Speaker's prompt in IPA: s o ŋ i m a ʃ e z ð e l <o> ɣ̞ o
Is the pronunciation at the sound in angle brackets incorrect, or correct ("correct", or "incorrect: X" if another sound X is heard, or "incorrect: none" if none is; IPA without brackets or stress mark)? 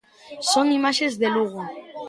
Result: incorrect: u